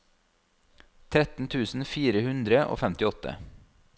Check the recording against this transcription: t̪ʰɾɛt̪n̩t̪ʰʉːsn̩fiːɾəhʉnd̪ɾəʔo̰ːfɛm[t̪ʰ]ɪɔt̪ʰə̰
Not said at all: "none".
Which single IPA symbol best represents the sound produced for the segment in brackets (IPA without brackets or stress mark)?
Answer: t̪